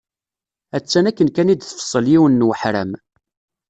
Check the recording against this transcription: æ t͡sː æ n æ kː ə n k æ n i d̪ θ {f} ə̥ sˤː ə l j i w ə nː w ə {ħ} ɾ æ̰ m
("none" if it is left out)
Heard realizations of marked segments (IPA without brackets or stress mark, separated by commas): f, ħ